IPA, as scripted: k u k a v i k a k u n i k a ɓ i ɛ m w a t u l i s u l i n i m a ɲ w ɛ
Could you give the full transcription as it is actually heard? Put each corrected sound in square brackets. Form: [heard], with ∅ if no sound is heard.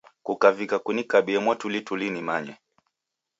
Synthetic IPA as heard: k u k a v i k a k u n i k a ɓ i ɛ m w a t u l i [t] u l i n i m a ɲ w ɛ